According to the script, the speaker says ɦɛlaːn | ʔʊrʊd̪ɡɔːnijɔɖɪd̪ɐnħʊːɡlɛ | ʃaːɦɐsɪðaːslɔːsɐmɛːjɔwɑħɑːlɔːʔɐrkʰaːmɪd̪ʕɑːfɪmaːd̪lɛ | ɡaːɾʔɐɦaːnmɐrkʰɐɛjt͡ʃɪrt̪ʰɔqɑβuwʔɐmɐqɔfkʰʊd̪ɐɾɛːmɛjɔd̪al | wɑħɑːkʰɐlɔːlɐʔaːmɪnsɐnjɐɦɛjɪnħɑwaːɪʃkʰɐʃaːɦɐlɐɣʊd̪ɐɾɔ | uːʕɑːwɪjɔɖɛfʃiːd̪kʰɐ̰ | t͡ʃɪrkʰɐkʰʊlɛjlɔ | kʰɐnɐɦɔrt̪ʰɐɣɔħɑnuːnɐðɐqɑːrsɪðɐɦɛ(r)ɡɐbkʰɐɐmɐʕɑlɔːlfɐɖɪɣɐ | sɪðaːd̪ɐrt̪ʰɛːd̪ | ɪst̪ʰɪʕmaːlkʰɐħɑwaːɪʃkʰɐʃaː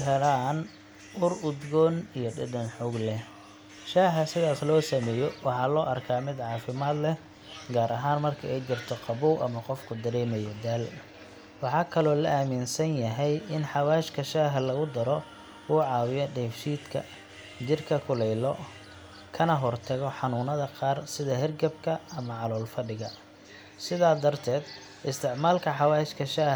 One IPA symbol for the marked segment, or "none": r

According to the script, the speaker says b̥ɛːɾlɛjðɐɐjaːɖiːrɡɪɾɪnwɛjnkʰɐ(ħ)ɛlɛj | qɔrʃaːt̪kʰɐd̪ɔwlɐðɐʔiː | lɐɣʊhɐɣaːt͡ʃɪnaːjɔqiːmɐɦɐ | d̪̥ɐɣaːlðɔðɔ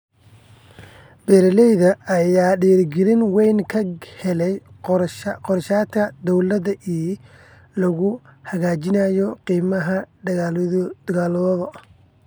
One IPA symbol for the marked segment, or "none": h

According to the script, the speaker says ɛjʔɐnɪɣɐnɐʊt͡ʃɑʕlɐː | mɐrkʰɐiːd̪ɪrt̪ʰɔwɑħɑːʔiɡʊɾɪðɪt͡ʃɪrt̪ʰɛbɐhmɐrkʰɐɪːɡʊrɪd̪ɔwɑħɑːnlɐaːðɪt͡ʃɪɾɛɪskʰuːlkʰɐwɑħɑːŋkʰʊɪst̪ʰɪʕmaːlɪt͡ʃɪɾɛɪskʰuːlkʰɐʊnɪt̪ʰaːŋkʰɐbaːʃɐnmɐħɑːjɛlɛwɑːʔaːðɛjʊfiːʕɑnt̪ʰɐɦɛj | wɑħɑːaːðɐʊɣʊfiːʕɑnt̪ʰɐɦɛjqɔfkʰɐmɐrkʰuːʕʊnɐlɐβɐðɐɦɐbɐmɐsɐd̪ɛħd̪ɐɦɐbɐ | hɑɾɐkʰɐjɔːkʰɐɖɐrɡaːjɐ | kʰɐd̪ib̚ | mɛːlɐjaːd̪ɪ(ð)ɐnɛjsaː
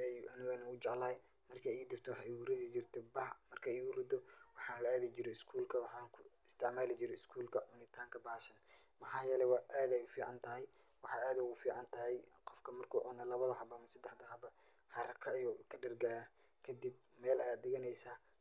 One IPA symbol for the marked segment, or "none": ɣ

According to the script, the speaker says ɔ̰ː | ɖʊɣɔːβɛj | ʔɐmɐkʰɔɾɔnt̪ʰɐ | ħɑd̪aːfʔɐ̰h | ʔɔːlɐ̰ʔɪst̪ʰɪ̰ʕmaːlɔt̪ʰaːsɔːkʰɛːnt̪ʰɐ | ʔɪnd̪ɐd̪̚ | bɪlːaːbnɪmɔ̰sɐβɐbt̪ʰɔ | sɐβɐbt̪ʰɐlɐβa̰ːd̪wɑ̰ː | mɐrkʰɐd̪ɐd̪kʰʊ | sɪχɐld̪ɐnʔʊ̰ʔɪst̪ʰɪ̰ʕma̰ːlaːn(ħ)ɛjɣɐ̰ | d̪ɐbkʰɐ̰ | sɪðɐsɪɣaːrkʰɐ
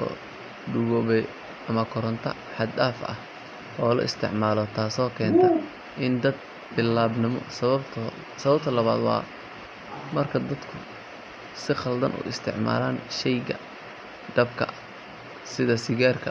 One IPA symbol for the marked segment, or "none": ʃ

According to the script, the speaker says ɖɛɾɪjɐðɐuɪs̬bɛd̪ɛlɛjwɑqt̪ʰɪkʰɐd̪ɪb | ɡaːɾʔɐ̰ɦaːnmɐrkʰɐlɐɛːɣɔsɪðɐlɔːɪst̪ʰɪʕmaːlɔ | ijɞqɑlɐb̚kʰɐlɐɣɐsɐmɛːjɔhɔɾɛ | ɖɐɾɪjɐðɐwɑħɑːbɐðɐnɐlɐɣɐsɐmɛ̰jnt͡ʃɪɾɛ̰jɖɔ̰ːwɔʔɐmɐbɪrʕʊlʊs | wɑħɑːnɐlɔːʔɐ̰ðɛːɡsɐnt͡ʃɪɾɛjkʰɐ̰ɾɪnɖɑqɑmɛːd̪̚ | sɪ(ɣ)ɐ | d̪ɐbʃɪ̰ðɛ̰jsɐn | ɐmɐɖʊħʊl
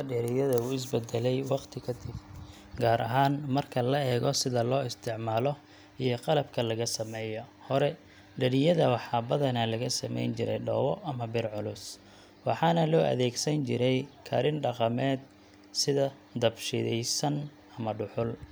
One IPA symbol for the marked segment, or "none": ð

